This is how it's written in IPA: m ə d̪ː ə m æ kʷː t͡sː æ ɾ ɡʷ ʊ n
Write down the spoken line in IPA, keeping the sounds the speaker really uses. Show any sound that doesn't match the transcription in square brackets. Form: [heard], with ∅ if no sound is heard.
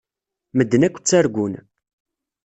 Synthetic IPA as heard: m ə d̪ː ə [n] æ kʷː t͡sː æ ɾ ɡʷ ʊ n